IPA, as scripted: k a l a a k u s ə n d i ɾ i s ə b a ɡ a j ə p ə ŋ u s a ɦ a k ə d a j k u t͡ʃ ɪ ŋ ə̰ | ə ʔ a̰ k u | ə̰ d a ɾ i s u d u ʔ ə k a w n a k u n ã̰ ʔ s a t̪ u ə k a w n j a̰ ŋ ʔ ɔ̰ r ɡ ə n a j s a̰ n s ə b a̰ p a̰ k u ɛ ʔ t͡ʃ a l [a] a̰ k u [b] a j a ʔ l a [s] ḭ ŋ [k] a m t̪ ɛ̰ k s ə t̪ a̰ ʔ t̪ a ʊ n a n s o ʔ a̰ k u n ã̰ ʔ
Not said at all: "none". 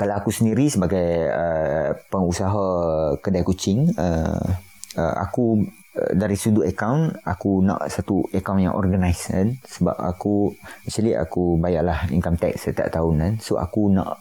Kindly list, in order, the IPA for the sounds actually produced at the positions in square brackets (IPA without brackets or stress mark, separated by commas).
i, b, h, k